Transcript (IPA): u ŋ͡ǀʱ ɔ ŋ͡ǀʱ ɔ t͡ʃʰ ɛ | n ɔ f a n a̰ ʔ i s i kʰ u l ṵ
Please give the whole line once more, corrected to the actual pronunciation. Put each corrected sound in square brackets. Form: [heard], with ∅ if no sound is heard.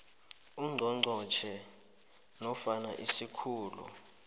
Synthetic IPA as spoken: u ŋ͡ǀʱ ɔ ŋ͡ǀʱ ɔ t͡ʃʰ ɛ | n ɔ f a n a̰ ʔ i s i kʰ [uː] l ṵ